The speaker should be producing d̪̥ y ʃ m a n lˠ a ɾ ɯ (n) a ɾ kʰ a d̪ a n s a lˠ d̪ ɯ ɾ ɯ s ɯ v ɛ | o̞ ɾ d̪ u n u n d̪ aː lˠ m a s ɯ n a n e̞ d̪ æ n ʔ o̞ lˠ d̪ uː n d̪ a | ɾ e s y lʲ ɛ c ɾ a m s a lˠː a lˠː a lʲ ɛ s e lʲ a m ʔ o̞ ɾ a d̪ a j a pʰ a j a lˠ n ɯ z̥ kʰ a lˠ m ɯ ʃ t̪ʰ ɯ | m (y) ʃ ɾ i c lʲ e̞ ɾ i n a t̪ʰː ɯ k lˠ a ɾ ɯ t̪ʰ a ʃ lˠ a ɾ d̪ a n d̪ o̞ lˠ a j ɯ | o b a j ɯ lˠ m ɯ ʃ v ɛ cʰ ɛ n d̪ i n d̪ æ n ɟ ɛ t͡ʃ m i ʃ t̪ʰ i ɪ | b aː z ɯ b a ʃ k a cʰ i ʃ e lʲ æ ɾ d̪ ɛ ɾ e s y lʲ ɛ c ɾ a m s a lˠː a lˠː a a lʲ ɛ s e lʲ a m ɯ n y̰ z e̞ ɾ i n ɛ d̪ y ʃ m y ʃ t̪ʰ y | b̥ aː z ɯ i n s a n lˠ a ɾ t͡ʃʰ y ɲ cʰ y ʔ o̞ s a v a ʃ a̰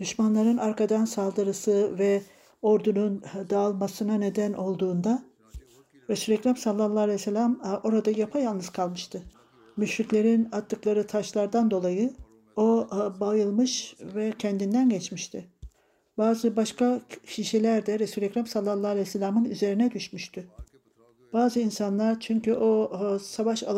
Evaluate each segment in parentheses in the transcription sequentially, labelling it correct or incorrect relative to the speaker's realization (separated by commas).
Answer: correct, correct